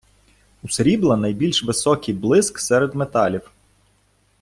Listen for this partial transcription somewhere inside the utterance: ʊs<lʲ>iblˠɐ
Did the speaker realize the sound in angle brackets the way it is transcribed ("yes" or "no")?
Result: no